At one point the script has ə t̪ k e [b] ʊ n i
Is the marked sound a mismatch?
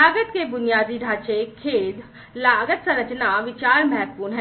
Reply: no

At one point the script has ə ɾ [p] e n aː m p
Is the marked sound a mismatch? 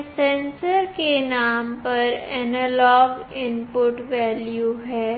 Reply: yes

